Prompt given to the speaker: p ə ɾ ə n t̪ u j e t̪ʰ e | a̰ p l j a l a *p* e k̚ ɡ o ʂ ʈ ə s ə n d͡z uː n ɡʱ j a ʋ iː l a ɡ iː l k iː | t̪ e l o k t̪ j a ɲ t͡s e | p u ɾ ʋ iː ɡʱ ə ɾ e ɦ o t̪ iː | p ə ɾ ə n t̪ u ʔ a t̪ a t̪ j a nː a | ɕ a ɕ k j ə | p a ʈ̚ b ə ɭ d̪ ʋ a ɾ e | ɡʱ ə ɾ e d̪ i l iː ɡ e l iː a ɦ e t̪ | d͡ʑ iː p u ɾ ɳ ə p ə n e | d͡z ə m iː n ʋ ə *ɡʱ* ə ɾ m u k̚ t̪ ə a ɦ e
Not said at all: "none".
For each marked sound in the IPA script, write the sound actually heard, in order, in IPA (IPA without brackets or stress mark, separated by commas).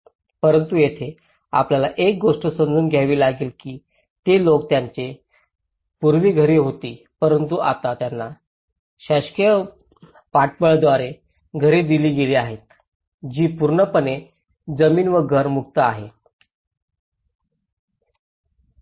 ʔ, ɡʱ